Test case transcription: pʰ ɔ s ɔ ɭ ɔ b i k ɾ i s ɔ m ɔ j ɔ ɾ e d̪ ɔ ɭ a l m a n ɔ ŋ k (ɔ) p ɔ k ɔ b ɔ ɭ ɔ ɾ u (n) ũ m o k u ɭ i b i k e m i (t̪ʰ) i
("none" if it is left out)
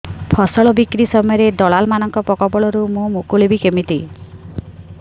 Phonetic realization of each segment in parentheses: ɔ, m, t̪

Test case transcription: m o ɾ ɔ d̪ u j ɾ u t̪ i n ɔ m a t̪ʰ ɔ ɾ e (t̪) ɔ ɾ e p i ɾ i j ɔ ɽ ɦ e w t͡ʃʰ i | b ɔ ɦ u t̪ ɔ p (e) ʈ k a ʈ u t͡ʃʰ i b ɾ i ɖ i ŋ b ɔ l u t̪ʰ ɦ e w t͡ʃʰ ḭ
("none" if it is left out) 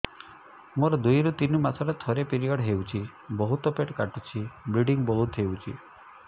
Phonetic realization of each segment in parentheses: t̪ʰ, e

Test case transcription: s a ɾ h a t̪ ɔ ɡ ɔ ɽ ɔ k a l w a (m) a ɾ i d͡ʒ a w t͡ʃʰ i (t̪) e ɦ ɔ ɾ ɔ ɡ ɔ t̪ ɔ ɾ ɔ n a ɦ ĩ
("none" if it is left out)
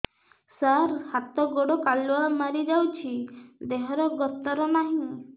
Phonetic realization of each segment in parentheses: m, d̪

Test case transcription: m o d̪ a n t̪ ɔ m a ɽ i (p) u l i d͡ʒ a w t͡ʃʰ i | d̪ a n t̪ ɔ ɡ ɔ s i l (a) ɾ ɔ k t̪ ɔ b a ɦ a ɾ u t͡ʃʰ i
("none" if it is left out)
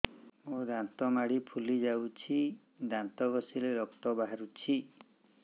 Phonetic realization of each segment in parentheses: pʰ, e

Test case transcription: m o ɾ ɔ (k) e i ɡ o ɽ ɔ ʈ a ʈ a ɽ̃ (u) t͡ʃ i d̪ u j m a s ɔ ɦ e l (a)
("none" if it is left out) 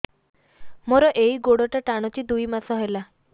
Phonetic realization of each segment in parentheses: ʔ, ɔ, a

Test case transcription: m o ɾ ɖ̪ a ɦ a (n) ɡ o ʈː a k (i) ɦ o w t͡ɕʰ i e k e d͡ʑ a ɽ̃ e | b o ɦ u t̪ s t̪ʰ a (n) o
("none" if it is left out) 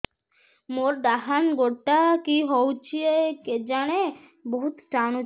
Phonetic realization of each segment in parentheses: n, i, n

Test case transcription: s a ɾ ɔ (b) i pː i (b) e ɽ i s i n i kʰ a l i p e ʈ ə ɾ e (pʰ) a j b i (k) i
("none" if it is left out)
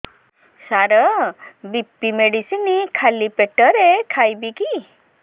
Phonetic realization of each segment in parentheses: b, m, kʰ, k

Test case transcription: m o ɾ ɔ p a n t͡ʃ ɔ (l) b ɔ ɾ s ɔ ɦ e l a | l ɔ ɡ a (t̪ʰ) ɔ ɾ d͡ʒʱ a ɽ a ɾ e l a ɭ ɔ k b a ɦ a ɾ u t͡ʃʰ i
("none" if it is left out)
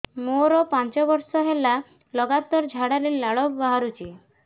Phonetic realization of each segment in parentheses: none, t̪

